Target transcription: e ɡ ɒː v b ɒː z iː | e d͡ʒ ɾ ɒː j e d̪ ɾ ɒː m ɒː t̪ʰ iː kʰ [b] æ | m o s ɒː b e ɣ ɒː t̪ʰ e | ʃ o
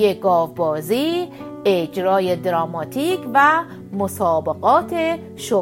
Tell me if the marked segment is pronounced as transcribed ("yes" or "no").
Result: no